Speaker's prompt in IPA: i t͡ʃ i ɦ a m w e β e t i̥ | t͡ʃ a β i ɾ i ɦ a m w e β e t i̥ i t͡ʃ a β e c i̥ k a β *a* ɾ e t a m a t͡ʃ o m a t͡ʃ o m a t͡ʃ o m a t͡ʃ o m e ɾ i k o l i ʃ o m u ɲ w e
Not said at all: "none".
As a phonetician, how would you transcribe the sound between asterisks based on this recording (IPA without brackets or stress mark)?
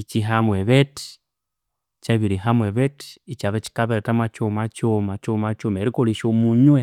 e